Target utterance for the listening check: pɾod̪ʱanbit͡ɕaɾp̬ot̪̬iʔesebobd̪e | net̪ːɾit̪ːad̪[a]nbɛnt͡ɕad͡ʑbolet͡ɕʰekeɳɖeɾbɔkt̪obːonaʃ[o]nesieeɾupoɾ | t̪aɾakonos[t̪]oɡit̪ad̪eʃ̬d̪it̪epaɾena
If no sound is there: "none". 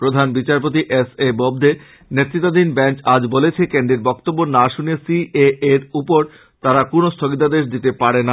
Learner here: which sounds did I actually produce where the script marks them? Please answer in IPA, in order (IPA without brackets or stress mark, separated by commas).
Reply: i, u, t̪ʰ